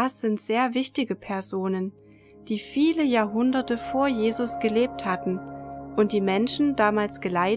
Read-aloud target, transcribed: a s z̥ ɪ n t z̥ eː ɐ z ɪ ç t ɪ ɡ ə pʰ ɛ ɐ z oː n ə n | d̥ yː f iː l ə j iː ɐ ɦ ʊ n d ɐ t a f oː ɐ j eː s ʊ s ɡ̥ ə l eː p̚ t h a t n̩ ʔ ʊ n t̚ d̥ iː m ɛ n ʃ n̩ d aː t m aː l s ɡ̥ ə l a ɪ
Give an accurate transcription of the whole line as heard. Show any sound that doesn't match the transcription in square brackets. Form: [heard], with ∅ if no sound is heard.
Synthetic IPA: a s z̥ ɪ n t z̥ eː ɐ [v] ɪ ç t ɪ ɡ ə pʰ ɛ ɐ z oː n ə n | d̥ [iː] f iː l ə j [aː] ɐ ɦ ʊ n d ɐ t [ə] f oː ɐ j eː [z] ʊ s ɡ̥ ə l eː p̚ t h a t n̩ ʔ ʊ n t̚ d̥ iː m ɛ n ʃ n̩ d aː [∅] m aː l s ɡ̥ ə l a ɪ